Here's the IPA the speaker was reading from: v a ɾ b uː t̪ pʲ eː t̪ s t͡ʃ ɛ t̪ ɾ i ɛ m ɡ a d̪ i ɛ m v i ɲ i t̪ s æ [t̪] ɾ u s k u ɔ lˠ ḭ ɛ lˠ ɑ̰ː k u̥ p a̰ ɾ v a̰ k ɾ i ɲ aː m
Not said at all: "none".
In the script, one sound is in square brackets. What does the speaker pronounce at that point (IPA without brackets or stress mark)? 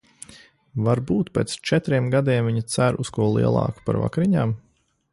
none